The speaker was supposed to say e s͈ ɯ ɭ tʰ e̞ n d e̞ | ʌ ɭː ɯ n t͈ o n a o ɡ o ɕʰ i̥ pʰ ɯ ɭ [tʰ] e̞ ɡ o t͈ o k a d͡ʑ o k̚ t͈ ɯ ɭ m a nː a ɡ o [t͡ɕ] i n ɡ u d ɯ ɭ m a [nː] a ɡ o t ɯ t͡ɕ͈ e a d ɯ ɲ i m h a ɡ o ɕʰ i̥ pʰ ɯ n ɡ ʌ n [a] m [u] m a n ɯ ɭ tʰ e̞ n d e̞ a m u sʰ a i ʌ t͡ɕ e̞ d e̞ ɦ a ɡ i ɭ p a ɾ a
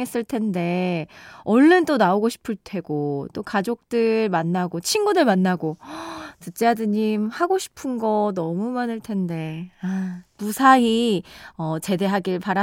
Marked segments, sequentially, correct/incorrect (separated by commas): correct, incorrect, correct, incorrect, correct